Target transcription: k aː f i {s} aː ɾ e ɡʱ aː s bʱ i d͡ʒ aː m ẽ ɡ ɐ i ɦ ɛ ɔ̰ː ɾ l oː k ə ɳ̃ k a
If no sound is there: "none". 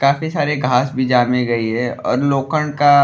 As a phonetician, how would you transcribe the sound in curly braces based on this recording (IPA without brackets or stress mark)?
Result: s